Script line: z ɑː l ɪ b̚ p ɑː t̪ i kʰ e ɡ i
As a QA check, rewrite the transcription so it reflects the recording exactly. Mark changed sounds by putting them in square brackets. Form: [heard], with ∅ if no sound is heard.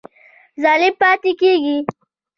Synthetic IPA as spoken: z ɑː l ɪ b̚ p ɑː t̪ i [k] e ɡ i